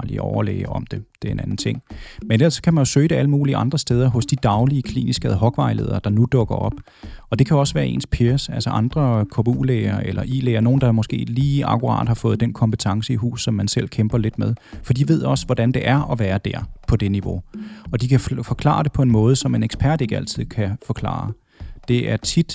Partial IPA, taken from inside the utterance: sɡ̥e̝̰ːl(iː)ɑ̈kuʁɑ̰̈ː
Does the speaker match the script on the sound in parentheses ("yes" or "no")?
yes